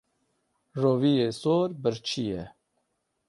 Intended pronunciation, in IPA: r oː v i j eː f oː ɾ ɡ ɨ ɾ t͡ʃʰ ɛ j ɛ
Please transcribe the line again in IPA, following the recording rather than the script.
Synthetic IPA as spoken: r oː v i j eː s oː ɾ b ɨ ɾ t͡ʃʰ i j ɛ